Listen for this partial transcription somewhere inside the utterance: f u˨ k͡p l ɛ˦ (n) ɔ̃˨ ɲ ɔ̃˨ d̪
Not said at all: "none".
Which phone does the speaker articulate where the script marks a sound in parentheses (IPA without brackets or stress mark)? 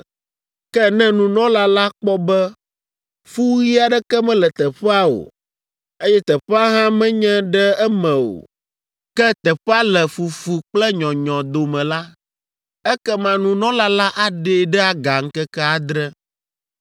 ɲ